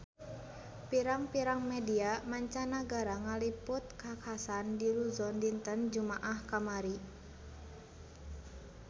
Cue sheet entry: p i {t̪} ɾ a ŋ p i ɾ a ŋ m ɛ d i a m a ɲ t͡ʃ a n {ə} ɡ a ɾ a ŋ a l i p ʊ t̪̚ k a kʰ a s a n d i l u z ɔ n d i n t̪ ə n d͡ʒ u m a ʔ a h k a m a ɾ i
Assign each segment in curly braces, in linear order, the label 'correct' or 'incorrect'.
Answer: incorrect: none, incorrect: a

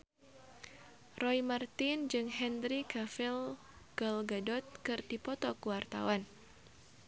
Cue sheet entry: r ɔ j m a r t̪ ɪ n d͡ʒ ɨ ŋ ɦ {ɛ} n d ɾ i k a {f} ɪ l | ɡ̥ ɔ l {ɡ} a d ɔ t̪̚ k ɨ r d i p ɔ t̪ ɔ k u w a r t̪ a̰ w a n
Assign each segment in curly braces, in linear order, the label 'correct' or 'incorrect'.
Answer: correct, correct, correct

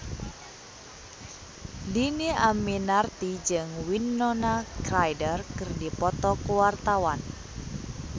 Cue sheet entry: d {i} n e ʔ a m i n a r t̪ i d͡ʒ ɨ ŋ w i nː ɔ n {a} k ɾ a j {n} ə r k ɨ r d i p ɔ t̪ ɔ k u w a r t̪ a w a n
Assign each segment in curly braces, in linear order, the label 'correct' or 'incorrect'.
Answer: correct, correct, incorrect: d

